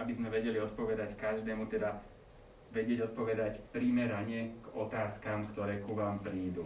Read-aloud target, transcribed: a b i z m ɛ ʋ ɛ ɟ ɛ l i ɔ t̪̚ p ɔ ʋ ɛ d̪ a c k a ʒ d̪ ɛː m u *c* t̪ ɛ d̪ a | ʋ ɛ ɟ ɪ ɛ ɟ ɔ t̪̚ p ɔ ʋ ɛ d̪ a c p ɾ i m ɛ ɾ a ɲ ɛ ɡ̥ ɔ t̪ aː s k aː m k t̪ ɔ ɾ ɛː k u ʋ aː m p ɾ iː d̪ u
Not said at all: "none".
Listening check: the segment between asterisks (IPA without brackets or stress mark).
none